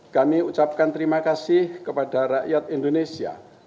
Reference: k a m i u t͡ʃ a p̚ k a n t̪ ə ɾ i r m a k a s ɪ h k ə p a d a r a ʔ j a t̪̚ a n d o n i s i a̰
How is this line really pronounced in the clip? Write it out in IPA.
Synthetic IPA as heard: k a m i u t͡ʃ a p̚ k a n t̪ ə ɾ i m a k a s ɪ h k ə p a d a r a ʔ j a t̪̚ i n d o n e s i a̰